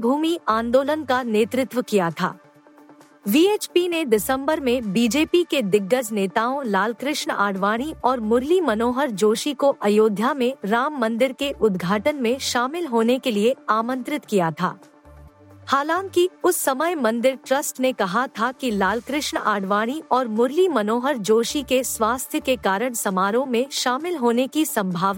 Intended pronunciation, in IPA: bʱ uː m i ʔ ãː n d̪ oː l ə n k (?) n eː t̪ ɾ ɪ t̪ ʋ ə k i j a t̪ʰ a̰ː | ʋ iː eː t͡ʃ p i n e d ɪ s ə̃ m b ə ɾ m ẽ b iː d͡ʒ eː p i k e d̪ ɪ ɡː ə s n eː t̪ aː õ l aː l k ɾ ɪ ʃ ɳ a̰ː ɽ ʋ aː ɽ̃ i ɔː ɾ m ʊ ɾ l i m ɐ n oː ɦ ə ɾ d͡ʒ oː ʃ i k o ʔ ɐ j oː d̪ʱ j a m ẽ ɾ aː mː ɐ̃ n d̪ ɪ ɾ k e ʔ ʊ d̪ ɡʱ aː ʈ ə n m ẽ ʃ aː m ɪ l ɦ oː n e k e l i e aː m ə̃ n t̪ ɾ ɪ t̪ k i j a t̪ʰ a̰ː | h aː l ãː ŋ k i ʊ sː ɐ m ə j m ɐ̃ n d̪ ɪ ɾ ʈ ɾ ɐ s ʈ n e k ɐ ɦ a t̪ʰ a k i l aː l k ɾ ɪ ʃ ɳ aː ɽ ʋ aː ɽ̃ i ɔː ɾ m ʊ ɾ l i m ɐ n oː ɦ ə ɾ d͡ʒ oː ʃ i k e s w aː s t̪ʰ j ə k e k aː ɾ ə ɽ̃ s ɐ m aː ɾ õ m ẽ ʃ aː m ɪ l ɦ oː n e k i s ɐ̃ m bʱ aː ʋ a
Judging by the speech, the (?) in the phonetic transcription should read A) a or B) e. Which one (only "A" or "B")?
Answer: A